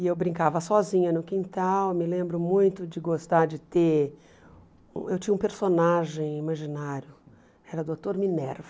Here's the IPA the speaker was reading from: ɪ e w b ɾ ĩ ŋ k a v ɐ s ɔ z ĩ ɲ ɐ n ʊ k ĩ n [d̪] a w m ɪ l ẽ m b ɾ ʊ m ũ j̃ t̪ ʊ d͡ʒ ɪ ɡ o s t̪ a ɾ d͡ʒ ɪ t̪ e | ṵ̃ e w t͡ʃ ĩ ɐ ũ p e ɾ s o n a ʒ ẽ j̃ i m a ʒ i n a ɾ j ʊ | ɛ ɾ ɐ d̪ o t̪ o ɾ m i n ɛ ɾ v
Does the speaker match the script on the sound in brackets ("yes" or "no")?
no